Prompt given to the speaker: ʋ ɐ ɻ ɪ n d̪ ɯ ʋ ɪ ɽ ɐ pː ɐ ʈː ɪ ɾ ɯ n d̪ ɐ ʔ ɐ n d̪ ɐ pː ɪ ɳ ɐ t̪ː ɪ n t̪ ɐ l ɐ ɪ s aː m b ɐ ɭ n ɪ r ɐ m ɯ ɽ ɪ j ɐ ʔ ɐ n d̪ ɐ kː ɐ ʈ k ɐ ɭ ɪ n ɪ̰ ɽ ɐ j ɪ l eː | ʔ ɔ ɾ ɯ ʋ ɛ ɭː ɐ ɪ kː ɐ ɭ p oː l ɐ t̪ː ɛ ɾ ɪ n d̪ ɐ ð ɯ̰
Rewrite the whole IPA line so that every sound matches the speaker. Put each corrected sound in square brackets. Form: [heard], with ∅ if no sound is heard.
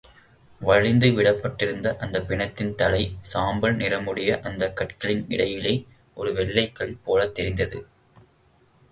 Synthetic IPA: ʋ ɐ ɻ ɪ n d̪ ɯ ʋ ɪ ɽ ɐ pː ɐ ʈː ɪ ɾ ɯ n d̪ ɐ ʔ ɐ n d̪ ɐ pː ɪ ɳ ɐ t̪ː ɪ n t̪ ɐ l ɐ ɪ s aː m b ɐ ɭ n ɪ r ɐ m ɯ ɽ ɪ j ɐ ʔ ɐ n d̪ ɐ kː ɐ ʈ k ɐ ɭ ɪ n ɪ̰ ɽ ɐ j ɪ l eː | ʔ ɔ ɾ ɯ ʋ ɛ ɭː ɐ ɪ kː ɐ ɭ p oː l ɐ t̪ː ɛ ɾ ɪ n d̪ ɐ ð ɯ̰